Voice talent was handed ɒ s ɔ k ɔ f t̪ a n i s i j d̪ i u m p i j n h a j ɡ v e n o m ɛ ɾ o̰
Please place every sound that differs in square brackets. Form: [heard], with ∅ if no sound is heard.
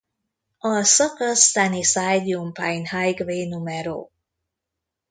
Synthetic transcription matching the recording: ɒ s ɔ k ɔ [s] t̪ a n i s [a] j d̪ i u m p [a] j n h a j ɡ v e n [u] m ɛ ɾ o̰